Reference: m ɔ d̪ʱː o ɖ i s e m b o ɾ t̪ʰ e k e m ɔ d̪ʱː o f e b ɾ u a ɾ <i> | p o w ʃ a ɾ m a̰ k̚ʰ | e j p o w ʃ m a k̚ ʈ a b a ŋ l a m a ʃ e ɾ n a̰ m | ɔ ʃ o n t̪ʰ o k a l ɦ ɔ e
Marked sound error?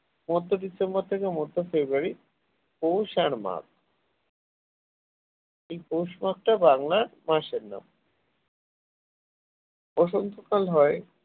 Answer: no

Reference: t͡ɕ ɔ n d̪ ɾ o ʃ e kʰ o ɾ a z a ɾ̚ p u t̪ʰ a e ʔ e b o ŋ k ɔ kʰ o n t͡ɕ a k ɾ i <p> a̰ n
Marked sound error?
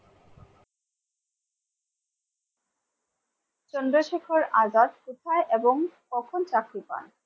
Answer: no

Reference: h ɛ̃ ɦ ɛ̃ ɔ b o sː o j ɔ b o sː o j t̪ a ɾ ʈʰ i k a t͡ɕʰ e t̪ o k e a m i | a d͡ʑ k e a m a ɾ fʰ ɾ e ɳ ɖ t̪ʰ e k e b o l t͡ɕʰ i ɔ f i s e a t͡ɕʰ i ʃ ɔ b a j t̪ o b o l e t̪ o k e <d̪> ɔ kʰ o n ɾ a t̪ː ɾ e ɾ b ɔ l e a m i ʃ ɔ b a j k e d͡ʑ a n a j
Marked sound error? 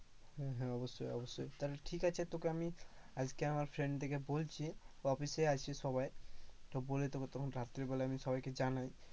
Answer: yes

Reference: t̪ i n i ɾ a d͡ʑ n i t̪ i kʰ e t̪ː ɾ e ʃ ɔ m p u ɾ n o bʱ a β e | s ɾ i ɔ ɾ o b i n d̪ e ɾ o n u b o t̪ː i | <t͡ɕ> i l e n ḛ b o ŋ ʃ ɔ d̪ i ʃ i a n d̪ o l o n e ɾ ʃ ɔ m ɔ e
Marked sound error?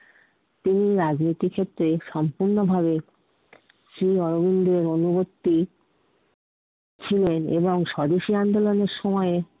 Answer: yes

